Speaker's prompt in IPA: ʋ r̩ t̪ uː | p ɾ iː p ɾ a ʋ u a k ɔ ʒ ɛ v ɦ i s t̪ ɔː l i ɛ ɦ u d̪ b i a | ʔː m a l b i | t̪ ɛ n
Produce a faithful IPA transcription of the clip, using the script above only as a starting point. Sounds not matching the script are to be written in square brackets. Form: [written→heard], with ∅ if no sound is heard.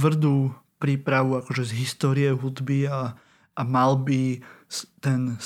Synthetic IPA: ʋ r̩ [t̪→d̪] uː | p ɾ iː p ɾ a ʋ u a k ɔ ʒ ɛ [v→z] ɦ i s t̪ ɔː [l→ɾ] i ɛ ɦ u d̪ b i a | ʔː m a l b i | t̪ ɛ n